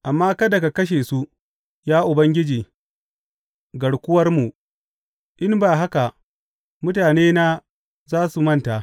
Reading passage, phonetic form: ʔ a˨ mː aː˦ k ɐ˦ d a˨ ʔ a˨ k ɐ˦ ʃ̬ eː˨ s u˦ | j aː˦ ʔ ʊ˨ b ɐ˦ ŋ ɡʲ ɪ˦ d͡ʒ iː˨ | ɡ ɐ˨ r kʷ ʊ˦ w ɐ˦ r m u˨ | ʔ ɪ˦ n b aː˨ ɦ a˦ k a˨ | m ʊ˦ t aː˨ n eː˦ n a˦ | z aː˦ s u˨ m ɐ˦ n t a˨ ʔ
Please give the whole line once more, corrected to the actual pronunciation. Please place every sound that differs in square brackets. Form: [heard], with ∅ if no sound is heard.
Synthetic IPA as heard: ʔ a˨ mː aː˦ k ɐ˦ d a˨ [k] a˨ k ɐ˦ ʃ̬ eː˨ s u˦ | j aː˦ ʔ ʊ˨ b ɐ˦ ŋ ɡʲ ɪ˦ d͡ʒ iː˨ | ɡ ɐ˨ [ɽ] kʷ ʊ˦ w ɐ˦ r m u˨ | ʔ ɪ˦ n b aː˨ ɦ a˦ k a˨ | m ʊ˦ t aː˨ n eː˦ n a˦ | z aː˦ s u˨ m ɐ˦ n t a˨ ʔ